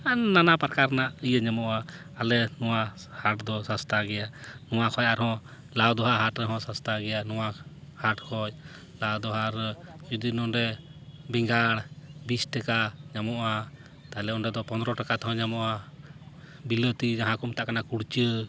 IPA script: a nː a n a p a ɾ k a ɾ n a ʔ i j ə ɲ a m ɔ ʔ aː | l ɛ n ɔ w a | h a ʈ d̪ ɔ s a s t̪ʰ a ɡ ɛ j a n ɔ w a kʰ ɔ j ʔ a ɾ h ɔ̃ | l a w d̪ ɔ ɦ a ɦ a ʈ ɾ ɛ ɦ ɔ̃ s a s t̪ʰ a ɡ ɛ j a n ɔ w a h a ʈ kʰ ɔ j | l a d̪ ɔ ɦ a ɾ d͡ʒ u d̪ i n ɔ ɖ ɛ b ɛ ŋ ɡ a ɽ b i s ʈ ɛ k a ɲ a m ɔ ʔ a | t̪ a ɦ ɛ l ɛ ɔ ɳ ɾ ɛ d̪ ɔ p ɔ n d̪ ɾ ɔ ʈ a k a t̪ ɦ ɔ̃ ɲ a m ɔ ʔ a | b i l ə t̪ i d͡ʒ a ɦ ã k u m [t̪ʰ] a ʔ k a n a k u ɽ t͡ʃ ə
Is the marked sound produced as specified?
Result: no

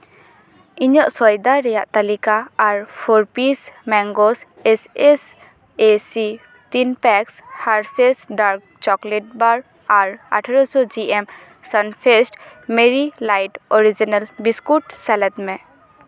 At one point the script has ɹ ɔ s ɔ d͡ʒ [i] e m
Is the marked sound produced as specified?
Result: yes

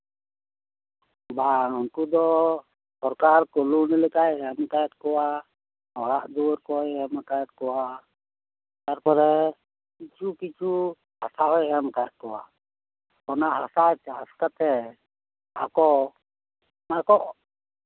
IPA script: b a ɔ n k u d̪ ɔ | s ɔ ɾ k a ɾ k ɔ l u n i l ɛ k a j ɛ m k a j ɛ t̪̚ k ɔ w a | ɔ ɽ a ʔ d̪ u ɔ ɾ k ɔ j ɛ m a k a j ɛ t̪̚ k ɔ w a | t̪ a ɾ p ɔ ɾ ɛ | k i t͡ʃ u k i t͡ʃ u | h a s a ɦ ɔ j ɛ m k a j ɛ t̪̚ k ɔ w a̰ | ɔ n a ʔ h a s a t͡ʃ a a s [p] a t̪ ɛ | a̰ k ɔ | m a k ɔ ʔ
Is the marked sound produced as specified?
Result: no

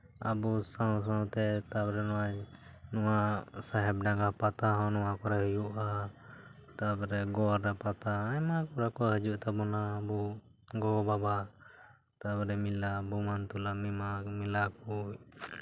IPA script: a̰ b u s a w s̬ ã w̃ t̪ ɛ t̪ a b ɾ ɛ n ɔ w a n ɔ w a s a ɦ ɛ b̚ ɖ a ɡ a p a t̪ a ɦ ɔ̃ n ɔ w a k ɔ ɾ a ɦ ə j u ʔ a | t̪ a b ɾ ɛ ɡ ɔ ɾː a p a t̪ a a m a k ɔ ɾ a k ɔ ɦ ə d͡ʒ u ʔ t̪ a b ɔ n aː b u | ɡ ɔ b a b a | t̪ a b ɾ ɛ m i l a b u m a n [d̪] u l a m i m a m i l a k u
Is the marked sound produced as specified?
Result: no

